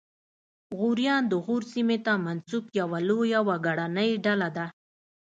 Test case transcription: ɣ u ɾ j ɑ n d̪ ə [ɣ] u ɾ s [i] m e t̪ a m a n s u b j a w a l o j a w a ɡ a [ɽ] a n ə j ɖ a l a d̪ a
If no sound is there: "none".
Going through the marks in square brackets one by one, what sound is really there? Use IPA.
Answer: ɣ, i, ɽ

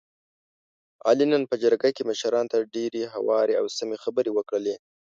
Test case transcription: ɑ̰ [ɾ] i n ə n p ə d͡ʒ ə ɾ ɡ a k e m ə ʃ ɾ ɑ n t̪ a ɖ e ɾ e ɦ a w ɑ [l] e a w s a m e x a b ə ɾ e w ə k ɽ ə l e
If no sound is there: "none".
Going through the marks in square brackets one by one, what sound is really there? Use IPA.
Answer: l, ɾ

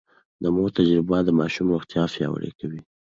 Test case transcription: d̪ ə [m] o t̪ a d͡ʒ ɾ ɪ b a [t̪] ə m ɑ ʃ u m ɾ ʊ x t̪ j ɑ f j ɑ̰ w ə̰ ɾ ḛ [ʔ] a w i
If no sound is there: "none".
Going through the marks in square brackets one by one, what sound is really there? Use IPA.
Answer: m, d̪, k

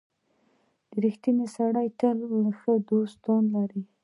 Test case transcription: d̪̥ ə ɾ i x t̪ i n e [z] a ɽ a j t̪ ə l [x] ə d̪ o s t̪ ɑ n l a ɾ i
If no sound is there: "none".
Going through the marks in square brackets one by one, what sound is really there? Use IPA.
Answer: s, x

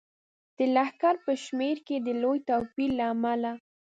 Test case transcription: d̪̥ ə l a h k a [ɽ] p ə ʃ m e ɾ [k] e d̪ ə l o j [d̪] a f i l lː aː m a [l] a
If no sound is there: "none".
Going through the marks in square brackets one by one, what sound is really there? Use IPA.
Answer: ɾ, k, t̪, l

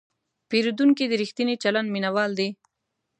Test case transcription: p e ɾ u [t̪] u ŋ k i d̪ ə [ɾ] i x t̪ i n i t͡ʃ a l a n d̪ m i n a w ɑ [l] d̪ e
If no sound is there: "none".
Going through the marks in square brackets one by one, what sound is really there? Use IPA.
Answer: d̪, ɾ, l

